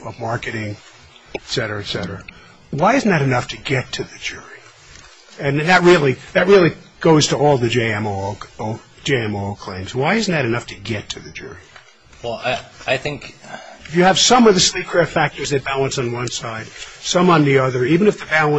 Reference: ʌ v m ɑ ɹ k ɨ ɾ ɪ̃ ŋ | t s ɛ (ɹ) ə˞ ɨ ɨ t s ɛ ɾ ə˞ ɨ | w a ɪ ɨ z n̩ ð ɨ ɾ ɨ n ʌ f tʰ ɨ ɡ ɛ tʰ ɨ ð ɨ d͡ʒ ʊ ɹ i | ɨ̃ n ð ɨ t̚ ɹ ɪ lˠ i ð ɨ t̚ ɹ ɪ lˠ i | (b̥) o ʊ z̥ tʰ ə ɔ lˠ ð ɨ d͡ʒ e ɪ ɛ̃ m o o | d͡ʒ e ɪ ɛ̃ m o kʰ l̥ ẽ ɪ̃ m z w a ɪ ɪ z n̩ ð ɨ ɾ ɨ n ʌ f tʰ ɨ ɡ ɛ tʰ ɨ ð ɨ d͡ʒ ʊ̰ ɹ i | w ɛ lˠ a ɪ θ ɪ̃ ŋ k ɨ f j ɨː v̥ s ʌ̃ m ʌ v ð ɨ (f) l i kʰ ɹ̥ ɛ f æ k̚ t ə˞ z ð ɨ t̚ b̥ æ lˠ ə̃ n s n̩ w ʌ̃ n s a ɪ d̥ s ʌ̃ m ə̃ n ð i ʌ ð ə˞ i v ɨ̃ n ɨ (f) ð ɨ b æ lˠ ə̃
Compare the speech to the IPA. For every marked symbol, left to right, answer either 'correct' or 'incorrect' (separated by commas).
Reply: incorrect, incorrect, incorrect, correct